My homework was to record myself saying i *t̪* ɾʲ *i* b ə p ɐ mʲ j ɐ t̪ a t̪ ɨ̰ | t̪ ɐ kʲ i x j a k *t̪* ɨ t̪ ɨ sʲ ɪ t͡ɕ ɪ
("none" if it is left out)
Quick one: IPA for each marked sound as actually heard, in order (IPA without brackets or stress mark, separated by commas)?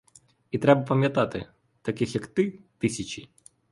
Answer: t̪, ɛ, t̪